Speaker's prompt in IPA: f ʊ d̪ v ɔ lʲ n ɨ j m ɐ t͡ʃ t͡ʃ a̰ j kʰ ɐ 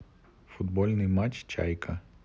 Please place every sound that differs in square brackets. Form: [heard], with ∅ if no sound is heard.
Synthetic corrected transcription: f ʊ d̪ [b] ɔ lʲ n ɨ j m [a] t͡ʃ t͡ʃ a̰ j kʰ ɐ